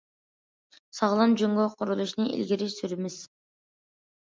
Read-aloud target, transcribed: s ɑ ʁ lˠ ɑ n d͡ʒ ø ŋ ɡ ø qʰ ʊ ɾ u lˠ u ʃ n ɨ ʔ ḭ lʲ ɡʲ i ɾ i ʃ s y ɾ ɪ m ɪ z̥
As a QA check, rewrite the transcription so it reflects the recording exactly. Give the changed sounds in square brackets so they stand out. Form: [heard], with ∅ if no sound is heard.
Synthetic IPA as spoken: s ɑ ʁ lˠ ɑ n d͡ʒ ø ŋ ɡ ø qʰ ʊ ɾ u lˠ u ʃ n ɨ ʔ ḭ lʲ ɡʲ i ɾ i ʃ s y ɾ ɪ m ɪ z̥